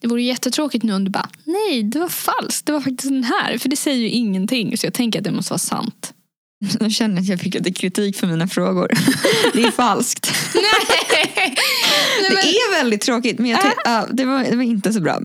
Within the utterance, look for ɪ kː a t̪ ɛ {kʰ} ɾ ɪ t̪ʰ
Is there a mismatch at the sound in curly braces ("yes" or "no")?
no